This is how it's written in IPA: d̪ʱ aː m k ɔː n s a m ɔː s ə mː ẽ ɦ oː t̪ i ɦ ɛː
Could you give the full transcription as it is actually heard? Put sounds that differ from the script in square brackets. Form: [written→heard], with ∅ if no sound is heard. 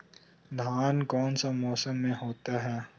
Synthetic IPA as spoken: d̪ʱ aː [m→n] k ɔː n s a m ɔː s ə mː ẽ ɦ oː t̪ [i→a] ɦ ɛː